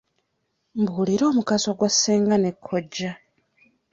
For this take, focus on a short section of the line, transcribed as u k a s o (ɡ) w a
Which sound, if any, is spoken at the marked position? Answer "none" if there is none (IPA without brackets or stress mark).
ɡ